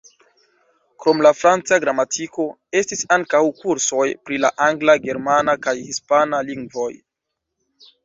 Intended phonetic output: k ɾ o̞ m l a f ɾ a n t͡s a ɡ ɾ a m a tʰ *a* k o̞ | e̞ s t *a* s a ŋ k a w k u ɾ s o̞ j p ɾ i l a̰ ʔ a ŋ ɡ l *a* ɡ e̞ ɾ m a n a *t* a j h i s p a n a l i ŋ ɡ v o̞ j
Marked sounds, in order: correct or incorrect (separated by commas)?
incorrect, incorrect, correct, incorrect